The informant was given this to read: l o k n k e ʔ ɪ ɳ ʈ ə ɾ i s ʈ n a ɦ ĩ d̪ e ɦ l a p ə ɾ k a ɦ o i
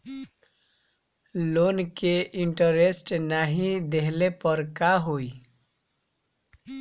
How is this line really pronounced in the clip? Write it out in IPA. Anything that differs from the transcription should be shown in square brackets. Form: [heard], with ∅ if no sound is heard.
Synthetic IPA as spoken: l o [∅] n k e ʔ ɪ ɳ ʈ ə ɾ [e] s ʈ n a ɦ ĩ d̪ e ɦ l [e] p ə ɾ k a ɦ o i